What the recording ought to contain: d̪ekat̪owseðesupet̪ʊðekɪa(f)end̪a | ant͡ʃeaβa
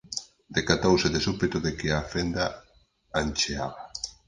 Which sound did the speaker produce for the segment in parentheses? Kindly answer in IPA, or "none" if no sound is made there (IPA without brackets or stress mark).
f